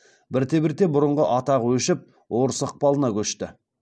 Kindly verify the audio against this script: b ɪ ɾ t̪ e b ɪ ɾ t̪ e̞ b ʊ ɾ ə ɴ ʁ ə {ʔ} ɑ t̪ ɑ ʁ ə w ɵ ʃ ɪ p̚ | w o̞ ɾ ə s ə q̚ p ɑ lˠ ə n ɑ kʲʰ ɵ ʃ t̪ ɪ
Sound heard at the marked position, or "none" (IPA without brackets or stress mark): ʔ